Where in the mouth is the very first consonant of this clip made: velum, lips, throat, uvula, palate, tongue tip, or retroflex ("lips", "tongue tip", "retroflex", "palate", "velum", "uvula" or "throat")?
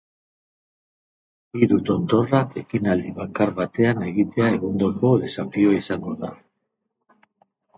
tongue tip